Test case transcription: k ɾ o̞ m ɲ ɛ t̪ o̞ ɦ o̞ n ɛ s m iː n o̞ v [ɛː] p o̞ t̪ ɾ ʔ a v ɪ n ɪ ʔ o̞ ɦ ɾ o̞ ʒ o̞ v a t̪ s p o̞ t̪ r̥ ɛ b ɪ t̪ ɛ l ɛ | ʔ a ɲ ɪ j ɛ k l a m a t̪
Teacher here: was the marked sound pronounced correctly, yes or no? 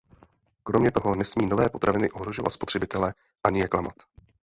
yes